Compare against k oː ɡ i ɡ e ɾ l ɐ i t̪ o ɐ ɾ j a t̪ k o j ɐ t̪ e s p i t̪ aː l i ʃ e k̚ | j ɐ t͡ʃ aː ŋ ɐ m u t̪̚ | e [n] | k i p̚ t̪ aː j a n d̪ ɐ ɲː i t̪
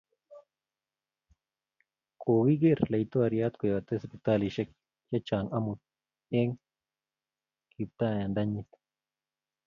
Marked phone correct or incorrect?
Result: incorrect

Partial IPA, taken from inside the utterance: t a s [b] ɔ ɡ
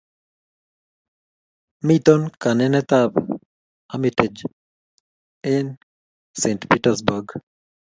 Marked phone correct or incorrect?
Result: correct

